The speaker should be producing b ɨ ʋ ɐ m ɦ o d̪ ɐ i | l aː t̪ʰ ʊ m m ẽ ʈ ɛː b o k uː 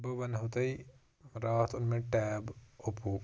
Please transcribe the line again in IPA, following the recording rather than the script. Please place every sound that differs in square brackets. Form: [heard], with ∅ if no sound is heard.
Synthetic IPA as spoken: b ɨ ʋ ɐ [n] ɦ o [t̪] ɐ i | [ɾ] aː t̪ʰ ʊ [n] m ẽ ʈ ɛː b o [p] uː

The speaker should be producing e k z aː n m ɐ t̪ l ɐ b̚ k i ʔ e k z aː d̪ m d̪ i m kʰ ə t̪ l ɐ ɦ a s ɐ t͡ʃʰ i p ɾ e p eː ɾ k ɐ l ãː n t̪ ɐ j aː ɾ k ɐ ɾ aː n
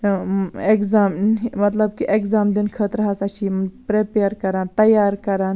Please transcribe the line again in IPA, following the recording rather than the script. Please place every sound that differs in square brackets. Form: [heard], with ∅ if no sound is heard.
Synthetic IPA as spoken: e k z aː [m] m ɐ t̪ l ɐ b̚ k i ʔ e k z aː [∅] m d̪ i [n] kʰ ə t̪ [ɾ] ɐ ɦ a s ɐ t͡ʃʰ i p ɾ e p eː ɾ k ɐ [ɾ] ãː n t̪ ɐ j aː ɾ k ɐ ɾ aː n

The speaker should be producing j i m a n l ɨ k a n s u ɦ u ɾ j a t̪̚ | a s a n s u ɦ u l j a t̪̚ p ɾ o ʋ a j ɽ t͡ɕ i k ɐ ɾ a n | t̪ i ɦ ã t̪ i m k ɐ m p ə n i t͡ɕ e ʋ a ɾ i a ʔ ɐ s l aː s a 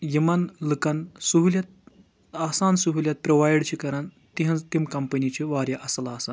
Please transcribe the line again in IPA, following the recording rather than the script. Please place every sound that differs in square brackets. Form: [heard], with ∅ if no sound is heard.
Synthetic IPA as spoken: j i m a n l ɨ k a n s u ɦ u [l] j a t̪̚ | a s a n s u ɦ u l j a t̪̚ p ɾ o ʋ a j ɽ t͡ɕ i k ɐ ɾ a n | t̪ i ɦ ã t̪ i m k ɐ m p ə n i t͡ɕ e ʋ a ɾ [j] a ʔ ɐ s l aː s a

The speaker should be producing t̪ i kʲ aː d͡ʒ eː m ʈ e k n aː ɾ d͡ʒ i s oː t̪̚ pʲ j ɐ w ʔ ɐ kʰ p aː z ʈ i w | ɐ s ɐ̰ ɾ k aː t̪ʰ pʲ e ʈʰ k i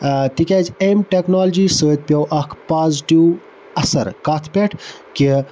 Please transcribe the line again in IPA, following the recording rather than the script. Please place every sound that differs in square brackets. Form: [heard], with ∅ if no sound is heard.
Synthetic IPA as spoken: t̪ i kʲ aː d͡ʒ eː m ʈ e k n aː [l] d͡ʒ i s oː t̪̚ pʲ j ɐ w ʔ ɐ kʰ p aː z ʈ i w | ɐ s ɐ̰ ɾ k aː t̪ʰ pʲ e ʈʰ k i

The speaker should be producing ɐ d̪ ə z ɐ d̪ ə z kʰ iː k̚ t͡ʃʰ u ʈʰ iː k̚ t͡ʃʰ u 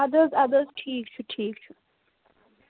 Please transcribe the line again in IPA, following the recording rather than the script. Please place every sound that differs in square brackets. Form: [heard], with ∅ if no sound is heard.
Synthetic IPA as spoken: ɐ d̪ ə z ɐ d̪ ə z [ʈʰ] iː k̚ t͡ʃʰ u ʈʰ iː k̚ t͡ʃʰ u

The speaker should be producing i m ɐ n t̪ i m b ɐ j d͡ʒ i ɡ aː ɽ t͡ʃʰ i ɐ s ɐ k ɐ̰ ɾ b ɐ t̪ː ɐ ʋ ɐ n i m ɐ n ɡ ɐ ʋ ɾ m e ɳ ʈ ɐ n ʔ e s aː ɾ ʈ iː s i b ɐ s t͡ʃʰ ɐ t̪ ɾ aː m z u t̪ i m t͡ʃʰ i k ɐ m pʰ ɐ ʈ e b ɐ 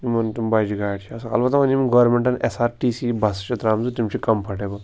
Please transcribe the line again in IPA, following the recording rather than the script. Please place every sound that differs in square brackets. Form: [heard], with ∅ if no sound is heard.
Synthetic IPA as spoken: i m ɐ n t̪ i m b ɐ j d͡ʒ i ɡ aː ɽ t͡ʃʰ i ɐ s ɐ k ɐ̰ [l] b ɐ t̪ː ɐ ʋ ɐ n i m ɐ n ɡ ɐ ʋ ɾ m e ɳ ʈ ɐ n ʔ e s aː ɾ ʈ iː s i b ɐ s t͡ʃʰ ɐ t̪ ɾ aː m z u t̪ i m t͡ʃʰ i k ɐ m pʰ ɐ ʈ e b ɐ

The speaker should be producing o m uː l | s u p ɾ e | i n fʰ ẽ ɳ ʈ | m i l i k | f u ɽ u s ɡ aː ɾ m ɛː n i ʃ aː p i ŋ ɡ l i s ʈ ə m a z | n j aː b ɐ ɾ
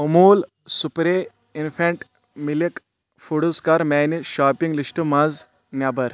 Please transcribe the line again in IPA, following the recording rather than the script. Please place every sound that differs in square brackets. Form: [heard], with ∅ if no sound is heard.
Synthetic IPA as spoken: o m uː l | s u p ɾ e | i n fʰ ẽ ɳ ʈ | m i l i k | f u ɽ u s [k] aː ɾ m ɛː n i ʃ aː p i ŋ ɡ l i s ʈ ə m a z | n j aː b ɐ ɾ

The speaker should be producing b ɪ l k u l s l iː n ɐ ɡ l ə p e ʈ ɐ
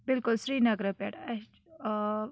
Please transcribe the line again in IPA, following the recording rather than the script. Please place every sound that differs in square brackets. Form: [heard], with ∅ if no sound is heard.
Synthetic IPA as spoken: b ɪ l k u l s [ɾ] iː n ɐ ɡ [ɾ] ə p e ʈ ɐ

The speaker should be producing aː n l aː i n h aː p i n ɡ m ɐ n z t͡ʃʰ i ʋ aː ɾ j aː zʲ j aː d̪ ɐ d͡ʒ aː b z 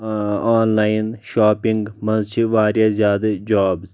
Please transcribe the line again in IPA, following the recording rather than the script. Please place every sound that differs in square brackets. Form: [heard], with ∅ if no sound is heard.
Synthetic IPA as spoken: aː n l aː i n [ʃ] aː p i [ŋ] ɡ m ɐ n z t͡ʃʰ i ʋ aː ɾ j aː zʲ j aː d̪ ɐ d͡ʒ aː b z

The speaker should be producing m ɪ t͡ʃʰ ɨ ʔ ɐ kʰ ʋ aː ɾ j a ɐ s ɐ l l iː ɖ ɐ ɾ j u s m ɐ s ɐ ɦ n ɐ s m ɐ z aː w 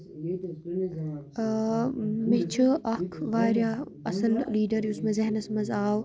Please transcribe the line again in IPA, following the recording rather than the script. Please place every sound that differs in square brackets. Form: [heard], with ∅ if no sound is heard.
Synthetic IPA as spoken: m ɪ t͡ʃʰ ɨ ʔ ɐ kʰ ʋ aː ɾ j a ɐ s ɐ l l iː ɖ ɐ ɾ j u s m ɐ [z] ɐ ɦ n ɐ s m ɐ z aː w

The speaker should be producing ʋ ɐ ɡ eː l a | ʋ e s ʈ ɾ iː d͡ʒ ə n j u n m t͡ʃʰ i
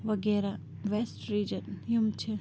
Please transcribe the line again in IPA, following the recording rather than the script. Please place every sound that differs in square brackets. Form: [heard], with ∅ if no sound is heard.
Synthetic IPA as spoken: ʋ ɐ ɡ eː [ɾ] a | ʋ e s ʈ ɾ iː d͡ʒ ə n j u [∅] m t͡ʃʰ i

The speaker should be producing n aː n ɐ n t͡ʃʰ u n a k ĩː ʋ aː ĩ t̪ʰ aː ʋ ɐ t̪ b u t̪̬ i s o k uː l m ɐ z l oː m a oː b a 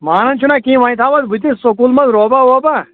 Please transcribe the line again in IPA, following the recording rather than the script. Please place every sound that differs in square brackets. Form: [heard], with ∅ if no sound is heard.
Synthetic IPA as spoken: [m] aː n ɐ n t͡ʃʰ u n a k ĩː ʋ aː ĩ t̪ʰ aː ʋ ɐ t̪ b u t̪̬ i s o k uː l m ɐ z [ɾ] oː [b] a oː b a

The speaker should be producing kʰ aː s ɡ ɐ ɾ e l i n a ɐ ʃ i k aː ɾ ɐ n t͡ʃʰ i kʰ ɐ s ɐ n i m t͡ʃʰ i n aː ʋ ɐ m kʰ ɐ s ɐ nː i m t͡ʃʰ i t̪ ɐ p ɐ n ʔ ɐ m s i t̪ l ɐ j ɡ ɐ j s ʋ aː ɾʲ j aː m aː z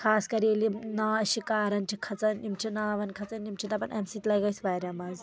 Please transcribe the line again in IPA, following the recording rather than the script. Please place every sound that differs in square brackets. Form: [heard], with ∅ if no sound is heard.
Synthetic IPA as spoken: kʰ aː s [k] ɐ ɾ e l i n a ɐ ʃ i k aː ɾ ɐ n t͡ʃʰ i kʰ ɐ [t͡s] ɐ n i m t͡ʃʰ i n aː ʋ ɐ [n] kʰ ɐ [t͡s] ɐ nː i m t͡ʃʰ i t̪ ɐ p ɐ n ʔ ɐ m s i t̪ l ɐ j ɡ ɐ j s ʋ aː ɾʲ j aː m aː z

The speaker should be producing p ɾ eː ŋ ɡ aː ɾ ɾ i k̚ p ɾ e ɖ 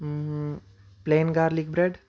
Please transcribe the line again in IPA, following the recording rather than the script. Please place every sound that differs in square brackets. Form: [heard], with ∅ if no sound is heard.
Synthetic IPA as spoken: p [l] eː [n] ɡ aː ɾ [l] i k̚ [b] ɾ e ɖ

